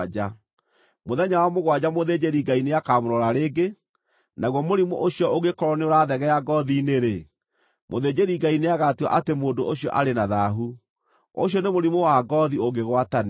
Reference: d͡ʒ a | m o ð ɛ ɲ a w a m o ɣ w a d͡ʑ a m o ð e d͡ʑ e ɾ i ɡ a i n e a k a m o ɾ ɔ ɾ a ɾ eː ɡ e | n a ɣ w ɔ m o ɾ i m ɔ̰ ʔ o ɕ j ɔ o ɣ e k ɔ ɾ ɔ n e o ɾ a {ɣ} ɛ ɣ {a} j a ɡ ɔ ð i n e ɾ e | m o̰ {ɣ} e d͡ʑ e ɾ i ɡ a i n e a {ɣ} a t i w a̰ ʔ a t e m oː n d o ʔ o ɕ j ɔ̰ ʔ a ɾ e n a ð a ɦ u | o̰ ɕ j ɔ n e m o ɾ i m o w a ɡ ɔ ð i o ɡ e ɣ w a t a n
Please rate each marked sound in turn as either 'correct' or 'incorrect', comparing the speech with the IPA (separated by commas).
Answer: incorrect, incorrect, incorrect, correct